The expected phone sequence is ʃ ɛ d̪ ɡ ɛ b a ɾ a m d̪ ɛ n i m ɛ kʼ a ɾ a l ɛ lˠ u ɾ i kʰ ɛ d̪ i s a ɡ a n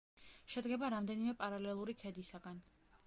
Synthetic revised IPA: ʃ ɛ d̪ ɡ ɛ b a ɾ a m d̪ ɛ n i m ɛ pʼ a ɾ a l ɛ lˠ u ɾ i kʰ ɛ d̪ i s a ɡ a n

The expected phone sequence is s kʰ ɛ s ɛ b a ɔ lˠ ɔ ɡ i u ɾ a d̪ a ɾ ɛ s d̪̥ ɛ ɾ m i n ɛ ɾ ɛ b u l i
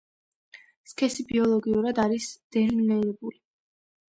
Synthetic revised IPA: s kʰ ɛ s i b i ɔ lˠ ɔ ɡ i u ɾ a d̪ a ɾ i s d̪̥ ɛ ɾ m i n ɛ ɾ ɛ b u l i

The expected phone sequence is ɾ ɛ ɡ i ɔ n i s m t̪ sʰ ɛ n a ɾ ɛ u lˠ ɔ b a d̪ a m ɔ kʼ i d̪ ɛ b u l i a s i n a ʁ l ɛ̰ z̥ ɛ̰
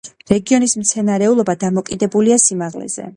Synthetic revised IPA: ɾ ɛ ɡ i ɔ n i s m t̪ sʰ ɛ n a ɾ ɛ u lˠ ɔ b a d̪ a m ɔ kʼ i d̪ ɛ b u l i a s i m a ʁ l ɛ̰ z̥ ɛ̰

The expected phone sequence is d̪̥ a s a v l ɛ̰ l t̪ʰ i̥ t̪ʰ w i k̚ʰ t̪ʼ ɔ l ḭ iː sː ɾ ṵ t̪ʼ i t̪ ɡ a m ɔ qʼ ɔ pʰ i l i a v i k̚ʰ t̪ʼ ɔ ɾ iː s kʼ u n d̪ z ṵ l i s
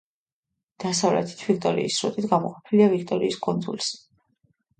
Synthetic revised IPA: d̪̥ a s a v l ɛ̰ t̪ʰ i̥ t̪ʰ v i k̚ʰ t̪ʼ ɔ ɾ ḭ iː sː ɾ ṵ t̪ʼ i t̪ ɡ a m ɔ qʼ ɔ pʰ i l i a v i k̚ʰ t̪ʼ ɔ ɾ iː s kʼ u n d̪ z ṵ l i s

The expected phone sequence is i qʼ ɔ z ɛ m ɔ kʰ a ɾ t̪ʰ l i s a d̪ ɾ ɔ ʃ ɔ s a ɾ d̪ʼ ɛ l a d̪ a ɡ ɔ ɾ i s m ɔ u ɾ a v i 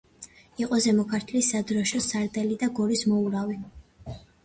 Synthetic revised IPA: i qʼ ɔ z ɛ m ɔ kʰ a ɾ t̪ʰ l i s a d̪ ɾ ɔ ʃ ɔ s a ɾ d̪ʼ ɛ l i d̪ a ɡ ɔ ɾ i s m ɔ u ɾ a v i

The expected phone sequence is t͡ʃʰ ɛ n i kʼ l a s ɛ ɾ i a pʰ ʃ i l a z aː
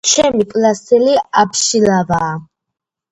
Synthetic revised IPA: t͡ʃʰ ɛ m i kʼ l a s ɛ l i a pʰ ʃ i l a v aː

